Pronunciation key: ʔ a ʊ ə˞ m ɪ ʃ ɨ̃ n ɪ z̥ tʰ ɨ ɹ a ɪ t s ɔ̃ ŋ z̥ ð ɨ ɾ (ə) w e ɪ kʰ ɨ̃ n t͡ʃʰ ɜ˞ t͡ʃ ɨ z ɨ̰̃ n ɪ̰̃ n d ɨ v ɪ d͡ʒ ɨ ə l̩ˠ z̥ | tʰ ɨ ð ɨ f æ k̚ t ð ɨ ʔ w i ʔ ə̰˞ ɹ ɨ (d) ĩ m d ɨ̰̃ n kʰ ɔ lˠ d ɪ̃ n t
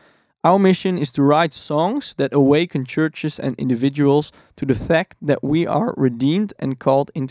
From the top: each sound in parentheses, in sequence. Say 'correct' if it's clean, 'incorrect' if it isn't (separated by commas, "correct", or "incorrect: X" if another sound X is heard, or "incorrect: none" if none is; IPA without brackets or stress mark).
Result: correct, correct